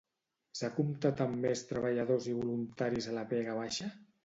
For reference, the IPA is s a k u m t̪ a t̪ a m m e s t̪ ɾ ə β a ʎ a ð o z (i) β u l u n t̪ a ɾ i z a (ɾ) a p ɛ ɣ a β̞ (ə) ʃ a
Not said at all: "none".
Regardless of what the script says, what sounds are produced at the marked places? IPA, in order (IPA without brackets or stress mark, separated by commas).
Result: i, l, a